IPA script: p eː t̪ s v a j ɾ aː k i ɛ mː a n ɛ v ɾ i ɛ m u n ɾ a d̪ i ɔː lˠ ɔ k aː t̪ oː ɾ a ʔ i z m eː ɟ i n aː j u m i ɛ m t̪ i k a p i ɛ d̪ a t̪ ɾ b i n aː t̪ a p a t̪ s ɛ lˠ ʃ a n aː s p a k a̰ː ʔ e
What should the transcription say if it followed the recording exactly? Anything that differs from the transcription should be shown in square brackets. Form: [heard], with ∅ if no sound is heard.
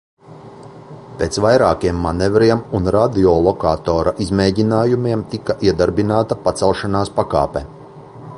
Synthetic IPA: p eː t̪ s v a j ɾ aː k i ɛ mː a n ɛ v ɾ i ɛ m u n ɾ a d̪ i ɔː lˠ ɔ k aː t̪ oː ɾ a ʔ i z m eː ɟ i n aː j u m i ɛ m t̪ i k a [ʔ] i ɛ d̪ a [∅] ɾ b i n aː t̪ a p a t̪ s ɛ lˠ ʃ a n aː s p a k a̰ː [p] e